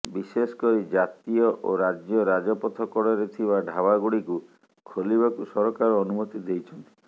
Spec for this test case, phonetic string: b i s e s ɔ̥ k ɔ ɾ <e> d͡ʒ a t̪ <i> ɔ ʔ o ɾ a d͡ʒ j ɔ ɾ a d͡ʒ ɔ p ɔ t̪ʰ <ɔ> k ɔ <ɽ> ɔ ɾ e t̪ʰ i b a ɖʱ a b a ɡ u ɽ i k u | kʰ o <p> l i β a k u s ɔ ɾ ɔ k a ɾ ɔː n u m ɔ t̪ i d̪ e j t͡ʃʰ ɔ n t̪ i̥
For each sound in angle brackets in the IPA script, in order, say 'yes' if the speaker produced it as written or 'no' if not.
no, yes, yes, yes, no

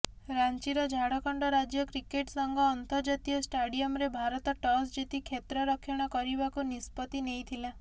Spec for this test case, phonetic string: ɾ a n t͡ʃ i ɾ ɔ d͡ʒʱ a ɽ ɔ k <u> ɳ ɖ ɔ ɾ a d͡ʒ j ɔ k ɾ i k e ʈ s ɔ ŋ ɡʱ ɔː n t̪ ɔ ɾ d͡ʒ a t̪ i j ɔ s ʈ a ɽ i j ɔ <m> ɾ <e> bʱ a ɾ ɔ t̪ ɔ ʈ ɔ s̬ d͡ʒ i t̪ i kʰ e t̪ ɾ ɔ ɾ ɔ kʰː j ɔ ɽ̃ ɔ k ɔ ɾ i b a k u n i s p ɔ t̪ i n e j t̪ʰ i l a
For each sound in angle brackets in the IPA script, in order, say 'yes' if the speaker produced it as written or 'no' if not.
no, yes, yes

